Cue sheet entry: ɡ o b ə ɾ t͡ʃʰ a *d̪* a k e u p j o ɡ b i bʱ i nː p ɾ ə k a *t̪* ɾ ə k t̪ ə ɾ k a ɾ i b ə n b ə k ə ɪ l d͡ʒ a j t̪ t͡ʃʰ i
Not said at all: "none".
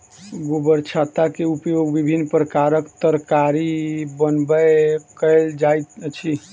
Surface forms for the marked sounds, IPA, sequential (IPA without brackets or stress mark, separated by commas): t̪, none